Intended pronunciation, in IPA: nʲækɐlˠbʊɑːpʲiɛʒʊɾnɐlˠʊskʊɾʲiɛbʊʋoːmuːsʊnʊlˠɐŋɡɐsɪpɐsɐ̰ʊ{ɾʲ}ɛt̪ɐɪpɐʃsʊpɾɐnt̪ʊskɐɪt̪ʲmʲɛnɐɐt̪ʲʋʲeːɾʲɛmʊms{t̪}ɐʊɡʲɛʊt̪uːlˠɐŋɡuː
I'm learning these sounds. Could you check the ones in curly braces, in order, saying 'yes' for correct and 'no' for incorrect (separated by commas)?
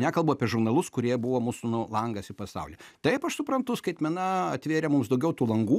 no, no